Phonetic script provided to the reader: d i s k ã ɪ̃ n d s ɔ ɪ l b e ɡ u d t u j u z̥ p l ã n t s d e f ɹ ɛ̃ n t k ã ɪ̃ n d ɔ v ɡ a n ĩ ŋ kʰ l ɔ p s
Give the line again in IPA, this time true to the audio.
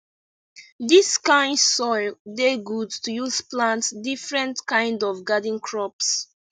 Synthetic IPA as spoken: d i s k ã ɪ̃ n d s ɔ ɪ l d e ɡ u d t u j u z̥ p l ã n t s d i f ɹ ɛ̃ n t k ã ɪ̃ n d ɔ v ɡ a d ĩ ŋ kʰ ɹ ɔ p s